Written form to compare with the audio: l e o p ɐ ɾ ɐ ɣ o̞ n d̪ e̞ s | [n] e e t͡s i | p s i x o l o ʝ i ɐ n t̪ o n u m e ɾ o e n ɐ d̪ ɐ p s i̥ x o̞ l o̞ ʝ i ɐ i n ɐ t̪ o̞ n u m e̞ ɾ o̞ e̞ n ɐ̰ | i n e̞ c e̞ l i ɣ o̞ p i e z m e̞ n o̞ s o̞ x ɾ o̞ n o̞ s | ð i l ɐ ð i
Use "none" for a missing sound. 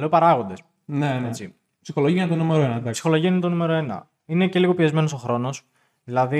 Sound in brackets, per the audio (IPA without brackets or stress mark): n